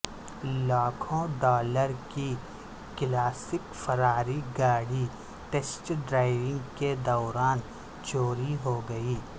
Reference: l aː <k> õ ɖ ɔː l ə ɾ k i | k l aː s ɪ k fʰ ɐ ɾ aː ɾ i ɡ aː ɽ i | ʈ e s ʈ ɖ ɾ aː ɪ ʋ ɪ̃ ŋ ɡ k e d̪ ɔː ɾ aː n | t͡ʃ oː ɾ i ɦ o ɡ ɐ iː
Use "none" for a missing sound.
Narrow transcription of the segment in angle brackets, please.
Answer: kʰ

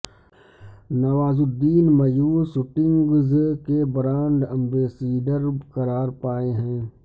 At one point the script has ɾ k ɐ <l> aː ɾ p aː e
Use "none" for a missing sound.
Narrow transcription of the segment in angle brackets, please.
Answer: ɾ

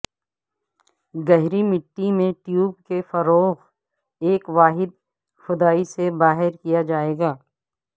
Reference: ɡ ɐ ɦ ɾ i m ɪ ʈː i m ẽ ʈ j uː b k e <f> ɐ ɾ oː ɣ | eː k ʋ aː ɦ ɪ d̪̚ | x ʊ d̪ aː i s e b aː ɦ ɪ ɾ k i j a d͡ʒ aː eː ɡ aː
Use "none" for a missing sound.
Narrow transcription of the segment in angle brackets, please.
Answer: f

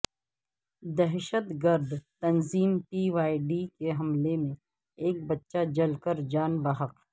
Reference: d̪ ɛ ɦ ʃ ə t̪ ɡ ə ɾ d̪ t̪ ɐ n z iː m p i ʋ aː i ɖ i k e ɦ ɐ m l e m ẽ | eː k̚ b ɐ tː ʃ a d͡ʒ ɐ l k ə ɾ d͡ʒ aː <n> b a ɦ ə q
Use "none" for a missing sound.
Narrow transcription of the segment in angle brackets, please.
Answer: n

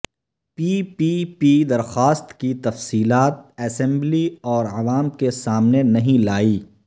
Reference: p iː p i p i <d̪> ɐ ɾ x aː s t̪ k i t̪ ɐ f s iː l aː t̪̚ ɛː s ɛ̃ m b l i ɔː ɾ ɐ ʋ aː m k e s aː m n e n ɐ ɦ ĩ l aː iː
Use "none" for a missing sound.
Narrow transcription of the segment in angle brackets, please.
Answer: d̪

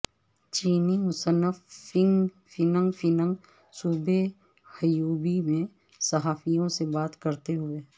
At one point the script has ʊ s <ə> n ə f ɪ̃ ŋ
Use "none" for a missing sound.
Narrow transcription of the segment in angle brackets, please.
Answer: ə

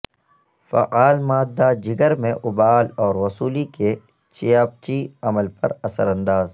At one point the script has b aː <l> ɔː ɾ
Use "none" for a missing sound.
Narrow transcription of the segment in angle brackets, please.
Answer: l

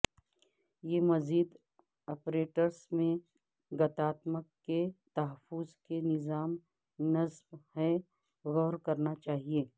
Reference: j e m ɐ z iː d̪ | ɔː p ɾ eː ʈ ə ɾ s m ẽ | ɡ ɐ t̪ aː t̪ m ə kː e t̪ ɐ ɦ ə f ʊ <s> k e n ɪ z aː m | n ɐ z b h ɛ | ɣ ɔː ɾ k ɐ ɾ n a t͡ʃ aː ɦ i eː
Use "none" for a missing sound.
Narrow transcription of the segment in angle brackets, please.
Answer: z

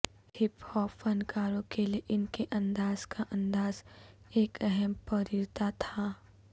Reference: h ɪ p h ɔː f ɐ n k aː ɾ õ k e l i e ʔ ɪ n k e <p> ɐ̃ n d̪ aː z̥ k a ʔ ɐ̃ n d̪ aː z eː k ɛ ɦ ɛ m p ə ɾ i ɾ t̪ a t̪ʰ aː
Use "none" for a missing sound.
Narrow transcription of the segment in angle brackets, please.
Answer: ʔ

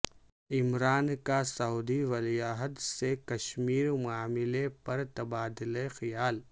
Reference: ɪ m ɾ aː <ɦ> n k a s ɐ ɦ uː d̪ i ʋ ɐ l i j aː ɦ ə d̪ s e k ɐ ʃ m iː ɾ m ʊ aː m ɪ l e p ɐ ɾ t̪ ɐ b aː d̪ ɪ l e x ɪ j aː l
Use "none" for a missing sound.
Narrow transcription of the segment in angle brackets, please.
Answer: none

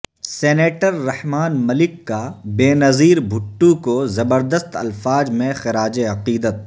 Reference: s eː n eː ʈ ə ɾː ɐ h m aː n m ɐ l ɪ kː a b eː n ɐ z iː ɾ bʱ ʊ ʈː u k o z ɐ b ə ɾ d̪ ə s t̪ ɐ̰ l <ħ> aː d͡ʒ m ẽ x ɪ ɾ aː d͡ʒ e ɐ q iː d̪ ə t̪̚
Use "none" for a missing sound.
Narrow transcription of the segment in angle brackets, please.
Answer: f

